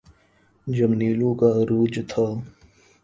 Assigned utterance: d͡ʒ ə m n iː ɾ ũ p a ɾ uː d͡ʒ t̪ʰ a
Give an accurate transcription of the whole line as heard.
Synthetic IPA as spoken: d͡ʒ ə m n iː l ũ k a ɾ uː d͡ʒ t̪ʰ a